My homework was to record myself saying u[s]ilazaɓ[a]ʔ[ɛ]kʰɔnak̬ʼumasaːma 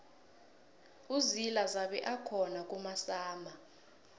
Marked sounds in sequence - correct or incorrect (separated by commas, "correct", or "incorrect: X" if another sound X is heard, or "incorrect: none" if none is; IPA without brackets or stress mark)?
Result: incorrect: z, incorrect: ɛ, incorrect: a